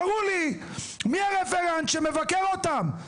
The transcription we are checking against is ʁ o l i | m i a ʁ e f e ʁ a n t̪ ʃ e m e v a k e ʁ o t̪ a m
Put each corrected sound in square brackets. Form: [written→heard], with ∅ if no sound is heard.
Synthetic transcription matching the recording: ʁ [o→u] l i | m i a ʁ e f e ʁ a n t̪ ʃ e m e v a k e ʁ o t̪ a m